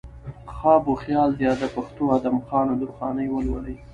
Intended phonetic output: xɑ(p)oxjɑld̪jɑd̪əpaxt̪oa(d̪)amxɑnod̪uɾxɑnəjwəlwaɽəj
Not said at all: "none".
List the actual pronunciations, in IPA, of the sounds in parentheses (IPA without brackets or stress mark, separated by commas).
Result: b, d̪